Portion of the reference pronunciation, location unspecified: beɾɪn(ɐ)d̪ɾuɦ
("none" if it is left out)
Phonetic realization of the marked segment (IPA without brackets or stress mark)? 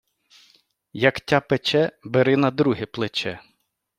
ɐ